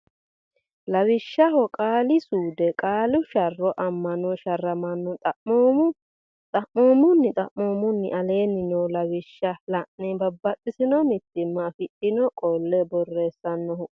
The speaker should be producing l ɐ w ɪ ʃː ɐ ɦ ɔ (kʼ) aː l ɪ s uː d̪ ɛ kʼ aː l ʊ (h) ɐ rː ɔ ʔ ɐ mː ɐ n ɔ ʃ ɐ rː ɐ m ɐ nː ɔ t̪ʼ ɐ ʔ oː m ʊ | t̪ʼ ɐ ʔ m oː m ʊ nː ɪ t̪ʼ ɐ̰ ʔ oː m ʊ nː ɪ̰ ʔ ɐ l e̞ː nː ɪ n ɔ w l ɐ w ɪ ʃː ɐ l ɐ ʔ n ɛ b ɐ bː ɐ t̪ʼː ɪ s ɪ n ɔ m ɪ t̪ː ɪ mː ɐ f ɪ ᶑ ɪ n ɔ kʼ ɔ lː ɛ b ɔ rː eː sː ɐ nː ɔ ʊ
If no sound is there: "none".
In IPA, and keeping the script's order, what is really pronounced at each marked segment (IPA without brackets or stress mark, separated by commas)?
kʼ, ʃ